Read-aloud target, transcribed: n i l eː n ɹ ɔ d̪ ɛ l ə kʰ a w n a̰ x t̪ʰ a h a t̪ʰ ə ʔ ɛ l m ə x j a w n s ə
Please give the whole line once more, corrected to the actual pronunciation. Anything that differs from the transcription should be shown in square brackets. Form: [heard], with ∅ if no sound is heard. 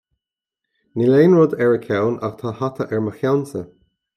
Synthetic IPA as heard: n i l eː n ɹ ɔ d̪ ɛ [ɹ] ə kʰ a w n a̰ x t̪ʰ a h a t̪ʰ ə ʔ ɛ [ɹ] m ə x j a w n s ə